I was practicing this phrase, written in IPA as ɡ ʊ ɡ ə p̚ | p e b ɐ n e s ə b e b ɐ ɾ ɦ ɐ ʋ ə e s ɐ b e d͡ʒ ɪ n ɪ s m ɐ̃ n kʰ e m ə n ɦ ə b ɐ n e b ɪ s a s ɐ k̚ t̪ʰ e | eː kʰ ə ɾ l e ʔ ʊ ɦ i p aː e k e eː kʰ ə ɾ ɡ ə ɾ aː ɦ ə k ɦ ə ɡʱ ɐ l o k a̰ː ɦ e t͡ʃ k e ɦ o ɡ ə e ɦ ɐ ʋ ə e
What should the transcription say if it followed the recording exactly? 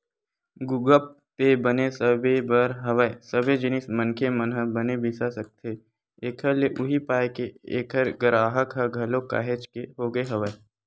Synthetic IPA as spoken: ɡ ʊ ɡ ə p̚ | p e b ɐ n e s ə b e b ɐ ɾ ɦ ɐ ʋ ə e s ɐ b e d͡ʒ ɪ n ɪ s m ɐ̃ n kʰ e m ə n ɦ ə b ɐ n e b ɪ s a s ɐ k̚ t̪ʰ e | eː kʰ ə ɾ l e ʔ ʊ ɦ i p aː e k e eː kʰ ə ɾ ɡ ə ɾ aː ɦ ə k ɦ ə ɡʱ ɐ l o k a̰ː ɦ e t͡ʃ k e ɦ o ɡ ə e ɦ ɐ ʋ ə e